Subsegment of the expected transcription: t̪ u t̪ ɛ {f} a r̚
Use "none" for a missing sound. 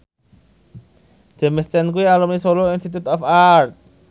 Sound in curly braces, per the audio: f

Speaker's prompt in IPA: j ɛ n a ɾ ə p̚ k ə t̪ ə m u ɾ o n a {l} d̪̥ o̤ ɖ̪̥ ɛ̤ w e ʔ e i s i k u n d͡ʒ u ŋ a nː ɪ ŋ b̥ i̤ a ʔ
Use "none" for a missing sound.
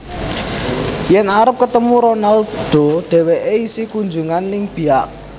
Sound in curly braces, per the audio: l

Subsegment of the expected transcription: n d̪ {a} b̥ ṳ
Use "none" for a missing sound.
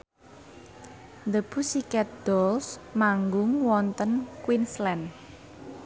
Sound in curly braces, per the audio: ə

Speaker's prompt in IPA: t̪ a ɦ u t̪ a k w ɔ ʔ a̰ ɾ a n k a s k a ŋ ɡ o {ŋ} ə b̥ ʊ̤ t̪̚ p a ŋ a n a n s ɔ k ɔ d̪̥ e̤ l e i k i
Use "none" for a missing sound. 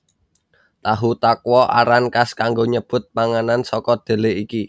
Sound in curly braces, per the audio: ɲ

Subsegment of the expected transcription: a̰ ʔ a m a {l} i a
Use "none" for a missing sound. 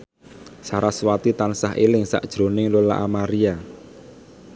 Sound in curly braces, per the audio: ɾ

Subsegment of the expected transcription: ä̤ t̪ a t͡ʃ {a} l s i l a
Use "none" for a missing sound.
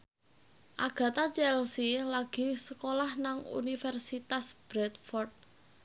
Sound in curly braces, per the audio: ɛ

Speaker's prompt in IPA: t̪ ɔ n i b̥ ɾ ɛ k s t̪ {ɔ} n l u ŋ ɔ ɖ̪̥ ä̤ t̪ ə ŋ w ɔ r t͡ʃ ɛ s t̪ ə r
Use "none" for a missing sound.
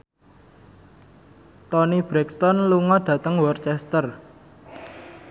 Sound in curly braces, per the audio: ɔ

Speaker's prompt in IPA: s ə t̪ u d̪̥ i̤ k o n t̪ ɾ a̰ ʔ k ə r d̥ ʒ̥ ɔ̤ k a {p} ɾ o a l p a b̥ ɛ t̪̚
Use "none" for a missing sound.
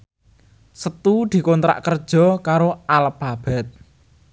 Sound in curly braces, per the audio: none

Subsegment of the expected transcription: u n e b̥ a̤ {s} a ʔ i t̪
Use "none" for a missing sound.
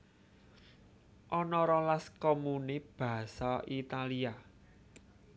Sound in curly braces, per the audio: s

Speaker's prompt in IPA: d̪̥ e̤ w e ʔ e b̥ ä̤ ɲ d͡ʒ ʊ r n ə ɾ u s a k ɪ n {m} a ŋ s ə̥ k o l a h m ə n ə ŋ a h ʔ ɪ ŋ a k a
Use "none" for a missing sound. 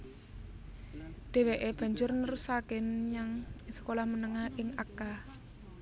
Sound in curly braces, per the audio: ɲ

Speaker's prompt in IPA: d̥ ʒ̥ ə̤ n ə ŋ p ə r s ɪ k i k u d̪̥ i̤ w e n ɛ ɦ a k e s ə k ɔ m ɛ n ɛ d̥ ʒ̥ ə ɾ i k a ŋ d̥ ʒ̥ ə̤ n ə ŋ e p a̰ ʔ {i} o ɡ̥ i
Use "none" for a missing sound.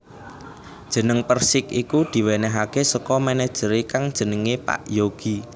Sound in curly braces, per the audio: j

